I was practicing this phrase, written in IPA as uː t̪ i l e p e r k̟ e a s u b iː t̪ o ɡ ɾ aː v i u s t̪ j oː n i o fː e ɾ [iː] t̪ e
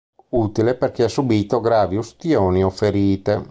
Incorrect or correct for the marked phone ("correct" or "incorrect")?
correct